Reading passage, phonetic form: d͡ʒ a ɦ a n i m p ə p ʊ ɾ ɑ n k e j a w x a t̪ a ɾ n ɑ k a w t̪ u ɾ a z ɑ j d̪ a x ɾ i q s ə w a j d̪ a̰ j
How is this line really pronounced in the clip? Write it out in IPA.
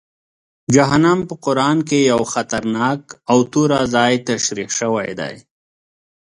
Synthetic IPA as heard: d͡ʒ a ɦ a n a m p ə q ʊ ɾ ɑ n k e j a w x a t̪ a ɾ n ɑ k a w t̪ u ɾ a z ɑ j t̪ a ʃ ɾ i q ʃ ə w a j d̪ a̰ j